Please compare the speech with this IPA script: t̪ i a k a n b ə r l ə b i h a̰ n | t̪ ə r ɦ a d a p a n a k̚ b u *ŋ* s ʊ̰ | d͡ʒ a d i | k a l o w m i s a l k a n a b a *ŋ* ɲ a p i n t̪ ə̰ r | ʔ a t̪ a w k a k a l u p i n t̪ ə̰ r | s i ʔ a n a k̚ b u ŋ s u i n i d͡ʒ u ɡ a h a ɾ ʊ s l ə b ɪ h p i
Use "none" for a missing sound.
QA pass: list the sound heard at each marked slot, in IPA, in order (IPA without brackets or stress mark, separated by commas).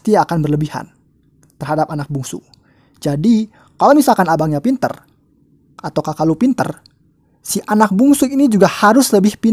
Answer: ŋ, ŋ